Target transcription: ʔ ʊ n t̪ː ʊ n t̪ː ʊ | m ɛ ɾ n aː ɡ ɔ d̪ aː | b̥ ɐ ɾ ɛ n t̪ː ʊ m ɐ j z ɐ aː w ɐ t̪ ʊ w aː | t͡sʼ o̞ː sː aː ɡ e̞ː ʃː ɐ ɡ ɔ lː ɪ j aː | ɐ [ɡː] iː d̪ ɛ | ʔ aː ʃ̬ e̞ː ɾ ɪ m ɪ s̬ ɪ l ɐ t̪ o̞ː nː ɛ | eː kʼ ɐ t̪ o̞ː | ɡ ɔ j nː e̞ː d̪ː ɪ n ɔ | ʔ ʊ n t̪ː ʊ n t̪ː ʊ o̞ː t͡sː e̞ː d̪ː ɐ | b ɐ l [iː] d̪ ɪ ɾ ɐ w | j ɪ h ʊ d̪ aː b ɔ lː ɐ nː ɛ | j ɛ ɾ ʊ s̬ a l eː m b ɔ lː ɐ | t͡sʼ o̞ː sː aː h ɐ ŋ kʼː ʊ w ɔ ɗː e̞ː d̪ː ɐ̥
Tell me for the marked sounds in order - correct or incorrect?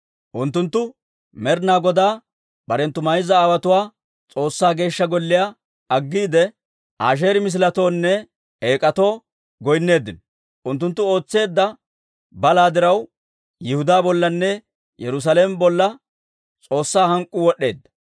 correct, incorrect

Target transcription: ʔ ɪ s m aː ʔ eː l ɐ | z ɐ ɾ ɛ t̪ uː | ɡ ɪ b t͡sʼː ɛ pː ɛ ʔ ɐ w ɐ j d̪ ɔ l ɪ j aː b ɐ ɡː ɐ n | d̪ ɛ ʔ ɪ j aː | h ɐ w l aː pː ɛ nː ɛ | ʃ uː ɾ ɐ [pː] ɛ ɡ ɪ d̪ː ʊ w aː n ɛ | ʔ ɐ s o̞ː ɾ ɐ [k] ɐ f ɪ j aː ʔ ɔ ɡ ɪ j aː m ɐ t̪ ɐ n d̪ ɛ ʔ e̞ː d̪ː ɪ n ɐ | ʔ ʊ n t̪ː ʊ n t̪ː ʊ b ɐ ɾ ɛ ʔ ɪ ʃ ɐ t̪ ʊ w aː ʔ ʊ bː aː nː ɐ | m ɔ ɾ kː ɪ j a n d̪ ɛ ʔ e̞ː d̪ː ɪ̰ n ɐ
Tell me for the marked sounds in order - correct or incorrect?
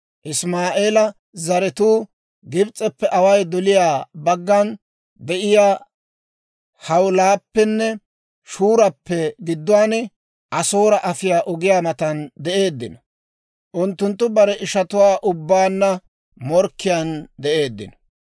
correct, incorrect

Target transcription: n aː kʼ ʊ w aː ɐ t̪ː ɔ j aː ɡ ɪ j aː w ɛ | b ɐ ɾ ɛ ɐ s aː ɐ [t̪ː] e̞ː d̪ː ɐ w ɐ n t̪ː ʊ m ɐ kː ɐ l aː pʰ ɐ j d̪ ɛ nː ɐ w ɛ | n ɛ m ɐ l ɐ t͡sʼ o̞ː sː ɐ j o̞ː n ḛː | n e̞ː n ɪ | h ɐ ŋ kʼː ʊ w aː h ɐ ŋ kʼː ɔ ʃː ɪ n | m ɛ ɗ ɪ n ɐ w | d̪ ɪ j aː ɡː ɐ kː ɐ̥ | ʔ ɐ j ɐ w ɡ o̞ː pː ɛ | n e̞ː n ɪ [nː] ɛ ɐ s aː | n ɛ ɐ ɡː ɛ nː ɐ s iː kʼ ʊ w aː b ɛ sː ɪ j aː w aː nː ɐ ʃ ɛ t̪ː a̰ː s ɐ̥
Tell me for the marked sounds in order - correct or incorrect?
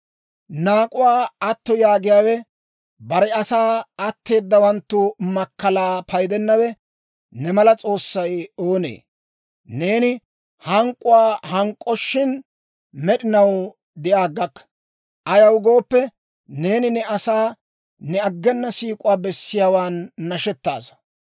correct, incorrect

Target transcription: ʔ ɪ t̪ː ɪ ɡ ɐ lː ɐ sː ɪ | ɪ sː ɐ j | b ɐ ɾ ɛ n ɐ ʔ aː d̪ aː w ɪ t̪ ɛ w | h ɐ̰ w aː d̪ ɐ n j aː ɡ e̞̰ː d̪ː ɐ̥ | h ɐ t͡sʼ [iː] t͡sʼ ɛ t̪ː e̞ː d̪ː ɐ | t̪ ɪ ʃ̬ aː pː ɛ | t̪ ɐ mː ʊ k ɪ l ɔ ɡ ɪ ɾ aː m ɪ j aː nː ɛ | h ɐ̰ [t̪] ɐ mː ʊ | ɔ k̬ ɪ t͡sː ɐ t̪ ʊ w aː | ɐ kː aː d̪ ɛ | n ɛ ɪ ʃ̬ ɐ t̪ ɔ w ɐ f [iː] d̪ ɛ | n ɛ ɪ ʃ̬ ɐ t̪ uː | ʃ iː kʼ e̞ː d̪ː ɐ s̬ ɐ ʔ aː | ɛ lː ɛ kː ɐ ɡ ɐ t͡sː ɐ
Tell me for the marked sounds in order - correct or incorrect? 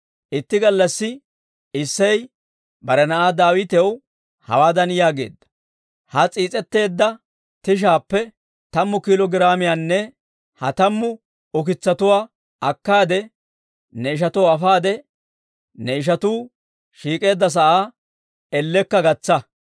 correct, correct, incorrect

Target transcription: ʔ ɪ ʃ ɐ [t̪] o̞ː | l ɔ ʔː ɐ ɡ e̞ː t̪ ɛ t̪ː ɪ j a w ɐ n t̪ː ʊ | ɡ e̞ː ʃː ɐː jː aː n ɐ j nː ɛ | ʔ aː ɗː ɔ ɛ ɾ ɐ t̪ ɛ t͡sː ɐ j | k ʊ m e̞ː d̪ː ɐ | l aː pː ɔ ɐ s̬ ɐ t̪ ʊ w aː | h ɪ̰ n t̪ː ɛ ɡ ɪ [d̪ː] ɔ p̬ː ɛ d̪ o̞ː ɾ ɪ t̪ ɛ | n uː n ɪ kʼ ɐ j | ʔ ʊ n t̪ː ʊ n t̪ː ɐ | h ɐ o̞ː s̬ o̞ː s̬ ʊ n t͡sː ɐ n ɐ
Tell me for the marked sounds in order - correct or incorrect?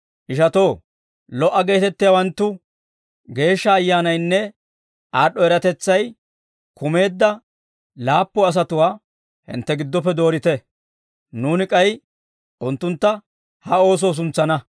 correct, correct

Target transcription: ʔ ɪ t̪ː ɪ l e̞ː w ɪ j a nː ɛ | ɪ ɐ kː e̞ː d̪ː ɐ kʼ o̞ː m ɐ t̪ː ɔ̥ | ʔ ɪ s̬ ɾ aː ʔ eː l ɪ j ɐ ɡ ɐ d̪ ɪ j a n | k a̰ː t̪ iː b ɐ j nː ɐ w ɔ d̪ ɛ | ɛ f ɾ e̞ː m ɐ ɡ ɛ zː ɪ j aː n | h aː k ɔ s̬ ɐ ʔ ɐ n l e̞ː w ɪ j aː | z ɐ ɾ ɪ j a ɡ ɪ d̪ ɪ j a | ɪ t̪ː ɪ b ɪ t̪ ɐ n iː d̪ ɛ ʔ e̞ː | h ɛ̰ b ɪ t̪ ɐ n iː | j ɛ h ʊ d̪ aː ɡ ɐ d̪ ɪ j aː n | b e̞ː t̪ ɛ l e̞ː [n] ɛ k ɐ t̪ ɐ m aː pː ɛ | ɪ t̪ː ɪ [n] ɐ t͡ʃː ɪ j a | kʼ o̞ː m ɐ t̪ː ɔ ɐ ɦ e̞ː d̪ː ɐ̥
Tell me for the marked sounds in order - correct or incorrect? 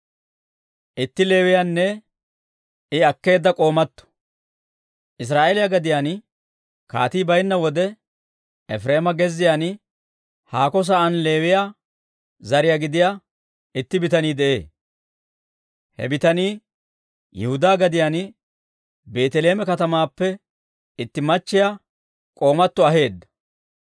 incorrect, incorrect

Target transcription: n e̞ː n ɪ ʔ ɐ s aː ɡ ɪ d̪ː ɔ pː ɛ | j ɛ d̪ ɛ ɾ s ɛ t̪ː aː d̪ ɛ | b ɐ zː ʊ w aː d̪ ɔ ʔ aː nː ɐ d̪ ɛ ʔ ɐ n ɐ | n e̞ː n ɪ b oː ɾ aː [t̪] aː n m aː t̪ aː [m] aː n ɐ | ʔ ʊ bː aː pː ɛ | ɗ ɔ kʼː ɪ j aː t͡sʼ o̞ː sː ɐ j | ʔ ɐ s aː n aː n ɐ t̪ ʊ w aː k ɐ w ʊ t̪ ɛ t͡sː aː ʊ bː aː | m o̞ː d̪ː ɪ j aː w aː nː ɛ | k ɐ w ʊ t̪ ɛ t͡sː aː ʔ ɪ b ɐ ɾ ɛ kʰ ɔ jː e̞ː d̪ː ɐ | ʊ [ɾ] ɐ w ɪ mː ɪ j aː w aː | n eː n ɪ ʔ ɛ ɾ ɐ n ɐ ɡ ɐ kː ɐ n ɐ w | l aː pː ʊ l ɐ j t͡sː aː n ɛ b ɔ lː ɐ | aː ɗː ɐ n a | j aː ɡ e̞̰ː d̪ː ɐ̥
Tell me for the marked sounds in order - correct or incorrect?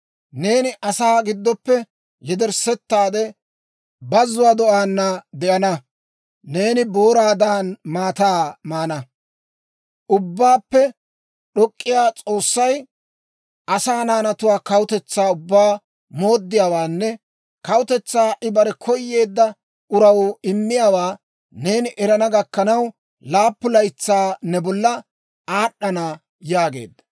incorrect, correct, correct

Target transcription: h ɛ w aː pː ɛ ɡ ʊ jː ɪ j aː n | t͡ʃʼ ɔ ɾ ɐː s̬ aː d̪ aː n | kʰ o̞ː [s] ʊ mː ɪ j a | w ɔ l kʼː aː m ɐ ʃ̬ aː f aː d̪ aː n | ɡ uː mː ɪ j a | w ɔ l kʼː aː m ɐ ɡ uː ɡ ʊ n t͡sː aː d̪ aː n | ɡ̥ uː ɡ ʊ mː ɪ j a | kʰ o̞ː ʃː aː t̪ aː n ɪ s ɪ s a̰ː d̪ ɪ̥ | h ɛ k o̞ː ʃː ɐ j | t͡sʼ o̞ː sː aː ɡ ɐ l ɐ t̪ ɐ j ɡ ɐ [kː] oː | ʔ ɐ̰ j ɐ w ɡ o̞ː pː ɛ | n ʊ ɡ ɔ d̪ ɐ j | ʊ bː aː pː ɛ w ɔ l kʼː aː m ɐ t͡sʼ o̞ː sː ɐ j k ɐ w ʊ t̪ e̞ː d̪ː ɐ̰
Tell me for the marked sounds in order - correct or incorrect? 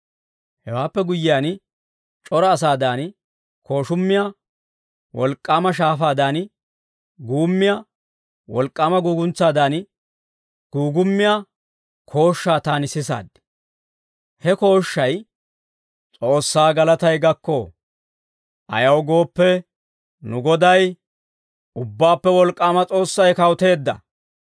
incorrect, correct

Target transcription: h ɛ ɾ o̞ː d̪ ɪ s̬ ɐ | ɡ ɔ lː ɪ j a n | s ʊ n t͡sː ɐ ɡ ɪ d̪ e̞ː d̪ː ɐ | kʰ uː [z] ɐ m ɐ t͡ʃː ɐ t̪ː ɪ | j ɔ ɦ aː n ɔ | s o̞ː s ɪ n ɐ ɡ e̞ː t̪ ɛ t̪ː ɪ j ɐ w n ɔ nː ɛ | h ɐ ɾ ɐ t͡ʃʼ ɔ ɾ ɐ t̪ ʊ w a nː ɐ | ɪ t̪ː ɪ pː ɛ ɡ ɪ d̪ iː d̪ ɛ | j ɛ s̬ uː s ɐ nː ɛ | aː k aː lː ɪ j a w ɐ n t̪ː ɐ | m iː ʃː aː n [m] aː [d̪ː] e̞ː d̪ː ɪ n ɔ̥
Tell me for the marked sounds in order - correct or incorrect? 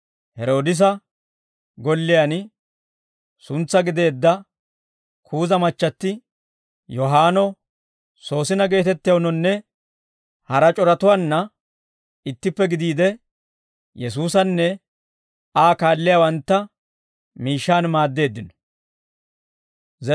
correct, correct, correct

